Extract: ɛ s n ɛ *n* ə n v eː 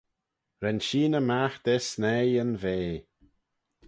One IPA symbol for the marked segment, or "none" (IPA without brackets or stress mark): none